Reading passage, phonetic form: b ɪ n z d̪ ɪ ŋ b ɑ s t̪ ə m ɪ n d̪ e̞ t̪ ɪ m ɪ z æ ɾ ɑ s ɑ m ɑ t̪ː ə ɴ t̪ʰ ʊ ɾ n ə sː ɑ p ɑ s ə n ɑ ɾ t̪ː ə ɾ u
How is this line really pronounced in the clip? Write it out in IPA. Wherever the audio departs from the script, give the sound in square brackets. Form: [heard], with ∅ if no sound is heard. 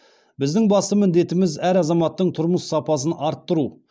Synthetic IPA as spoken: b ɪ [∅] z d̪ ɪ ŋ b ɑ s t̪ ə m ɪ n d̪ e̞ t̪ ɪ m ɪ z æ ɾ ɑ [z] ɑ m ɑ t̪ː ə ɴ t̪ʰ ʊ ɾ [m] ə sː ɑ p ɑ s ə n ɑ ɾ t̪ː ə ɾ u